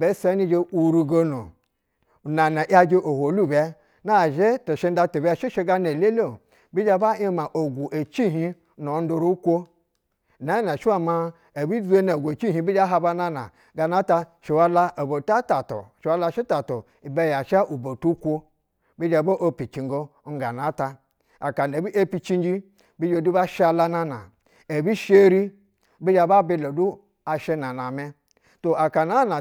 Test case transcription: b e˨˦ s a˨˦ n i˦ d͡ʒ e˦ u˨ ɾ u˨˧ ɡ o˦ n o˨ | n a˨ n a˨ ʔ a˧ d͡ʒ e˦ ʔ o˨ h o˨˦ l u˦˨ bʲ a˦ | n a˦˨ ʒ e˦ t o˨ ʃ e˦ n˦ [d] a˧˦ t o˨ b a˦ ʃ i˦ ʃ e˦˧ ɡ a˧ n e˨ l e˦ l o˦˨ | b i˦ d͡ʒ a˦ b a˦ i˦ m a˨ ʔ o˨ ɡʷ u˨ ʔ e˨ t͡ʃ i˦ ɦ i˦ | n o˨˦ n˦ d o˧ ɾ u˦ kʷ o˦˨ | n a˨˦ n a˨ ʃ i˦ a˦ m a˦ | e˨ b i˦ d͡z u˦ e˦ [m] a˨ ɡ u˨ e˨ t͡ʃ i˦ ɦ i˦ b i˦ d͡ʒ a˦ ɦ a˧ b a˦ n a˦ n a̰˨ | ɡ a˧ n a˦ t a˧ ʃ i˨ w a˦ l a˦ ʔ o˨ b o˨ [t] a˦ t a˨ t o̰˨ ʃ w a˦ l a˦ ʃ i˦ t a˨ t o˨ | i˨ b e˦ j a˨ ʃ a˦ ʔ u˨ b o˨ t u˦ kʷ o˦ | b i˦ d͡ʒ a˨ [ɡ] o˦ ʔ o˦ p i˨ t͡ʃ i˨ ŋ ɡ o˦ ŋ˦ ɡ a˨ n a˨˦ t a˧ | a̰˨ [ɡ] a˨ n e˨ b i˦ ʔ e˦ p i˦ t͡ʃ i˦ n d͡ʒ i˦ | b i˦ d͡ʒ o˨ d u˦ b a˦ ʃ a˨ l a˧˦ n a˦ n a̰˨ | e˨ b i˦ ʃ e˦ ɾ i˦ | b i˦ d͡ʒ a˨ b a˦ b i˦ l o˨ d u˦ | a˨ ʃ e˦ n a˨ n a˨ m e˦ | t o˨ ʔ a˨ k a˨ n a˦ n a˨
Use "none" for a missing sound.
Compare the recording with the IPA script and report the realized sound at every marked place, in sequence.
d, n, t, b, k

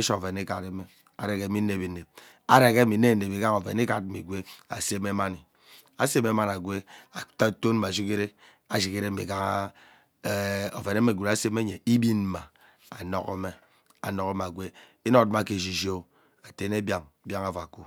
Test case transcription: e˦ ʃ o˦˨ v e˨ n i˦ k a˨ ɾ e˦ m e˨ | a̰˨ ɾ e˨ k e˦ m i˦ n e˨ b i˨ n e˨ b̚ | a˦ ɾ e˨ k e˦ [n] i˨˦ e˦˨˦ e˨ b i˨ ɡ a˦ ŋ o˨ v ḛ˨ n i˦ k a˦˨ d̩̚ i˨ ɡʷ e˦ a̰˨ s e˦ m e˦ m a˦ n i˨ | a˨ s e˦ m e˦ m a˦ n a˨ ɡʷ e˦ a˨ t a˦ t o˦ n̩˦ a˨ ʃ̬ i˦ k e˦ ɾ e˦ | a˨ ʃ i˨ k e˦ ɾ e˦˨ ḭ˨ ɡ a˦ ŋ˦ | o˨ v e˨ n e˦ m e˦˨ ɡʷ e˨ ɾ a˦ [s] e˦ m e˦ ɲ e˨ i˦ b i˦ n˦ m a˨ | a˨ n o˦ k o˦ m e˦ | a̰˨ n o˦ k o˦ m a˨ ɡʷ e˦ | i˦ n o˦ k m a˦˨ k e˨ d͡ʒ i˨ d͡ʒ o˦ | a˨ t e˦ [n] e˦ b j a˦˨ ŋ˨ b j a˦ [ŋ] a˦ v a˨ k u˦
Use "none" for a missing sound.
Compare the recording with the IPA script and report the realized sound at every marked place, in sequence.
m, s, n, ŋ

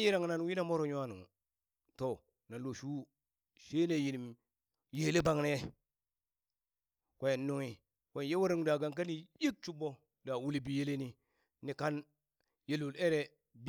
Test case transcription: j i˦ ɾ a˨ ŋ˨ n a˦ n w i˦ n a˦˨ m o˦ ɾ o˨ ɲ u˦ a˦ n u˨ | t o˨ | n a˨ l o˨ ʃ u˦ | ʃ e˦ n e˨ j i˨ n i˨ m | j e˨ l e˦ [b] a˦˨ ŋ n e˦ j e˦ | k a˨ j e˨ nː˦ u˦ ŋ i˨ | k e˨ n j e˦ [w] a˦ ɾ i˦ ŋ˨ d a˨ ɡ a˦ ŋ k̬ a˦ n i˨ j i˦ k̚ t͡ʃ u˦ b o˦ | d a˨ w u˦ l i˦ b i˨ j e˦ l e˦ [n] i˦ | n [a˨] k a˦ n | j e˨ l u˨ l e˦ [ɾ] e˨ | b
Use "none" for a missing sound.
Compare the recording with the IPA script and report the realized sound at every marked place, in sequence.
b, w, n, i˨, ɾ

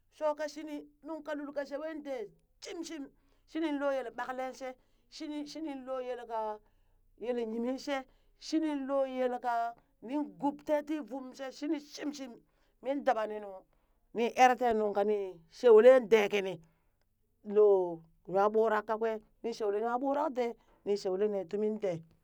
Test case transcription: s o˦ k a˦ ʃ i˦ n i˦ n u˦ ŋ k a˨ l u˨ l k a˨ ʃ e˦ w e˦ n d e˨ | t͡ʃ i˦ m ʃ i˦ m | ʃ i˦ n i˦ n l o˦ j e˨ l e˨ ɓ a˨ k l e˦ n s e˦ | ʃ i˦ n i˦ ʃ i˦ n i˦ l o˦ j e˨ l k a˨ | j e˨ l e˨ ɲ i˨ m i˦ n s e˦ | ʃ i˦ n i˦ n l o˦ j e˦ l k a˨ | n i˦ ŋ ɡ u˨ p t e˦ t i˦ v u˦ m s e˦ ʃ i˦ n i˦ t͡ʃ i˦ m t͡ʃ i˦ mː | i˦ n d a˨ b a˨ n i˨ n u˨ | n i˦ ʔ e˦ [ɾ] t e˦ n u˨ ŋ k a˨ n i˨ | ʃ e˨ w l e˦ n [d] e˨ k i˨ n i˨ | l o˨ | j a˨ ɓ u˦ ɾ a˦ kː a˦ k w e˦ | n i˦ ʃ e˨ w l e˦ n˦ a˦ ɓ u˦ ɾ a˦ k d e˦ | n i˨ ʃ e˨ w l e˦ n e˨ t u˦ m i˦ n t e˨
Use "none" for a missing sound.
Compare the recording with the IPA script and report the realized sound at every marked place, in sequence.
ɾ, d

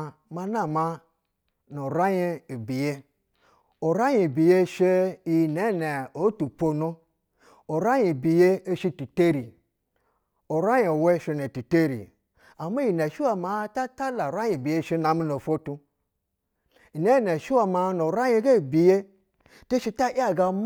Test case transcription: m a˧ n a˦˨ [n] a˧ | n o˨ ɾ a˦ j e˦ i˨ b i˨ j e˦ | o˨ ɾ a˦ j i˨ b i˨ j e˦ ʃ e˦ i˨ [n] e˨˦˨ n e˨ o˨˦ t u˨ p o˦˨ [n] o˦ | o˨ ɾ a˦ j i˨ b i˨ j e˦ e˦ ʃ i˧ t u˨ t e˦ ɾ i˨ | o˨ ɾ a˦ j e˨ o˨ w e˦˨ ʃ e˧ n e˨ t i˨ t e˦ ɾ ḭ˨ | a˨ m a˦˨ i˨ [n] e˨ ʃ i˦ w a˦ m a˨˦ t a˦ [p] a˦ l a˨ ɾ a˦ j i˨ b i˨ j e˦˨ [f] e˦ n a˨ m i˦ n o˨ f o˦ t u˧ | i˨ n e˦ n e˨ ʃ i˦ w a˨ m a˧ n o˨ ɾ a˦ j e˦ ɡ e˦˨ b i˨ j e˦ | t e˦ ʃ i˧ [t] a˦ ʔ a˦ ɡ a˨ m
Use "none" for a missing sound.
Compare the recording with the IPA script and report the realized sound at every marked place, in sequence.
m, n, n, n, t, ʃ, t

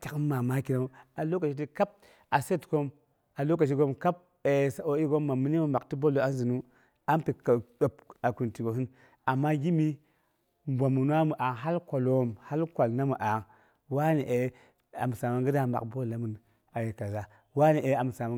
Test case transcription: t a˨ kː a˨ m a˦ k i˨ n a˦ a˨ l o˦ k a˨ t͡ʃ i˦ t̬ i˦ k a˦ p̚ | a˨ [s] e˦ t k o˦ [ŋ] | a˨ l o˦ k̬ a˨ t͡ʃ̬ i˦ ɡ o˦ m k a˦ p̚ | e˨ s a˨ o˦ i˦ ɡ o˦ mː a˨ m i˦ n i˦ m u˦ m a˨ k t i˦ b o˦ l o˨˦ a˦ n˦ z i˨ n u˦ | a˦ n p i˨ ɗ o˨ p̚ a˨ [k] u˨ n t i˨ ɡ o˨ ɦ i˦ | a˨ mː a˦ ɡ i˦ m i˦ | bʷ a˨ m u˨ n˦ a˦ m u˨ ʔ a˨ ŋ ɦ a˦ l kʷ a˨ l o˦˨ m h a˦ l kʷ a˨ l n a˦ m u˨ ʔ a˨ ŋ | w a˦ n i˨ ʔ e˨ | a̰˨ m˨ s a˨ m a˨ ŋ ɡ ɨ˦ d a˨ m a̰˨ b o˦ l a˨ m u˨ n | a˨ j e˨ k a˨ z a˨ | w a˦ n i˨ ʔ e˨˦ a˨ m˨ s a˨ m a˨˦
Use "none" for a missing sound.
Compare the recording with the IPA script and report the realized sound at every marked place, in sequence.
s, m, k

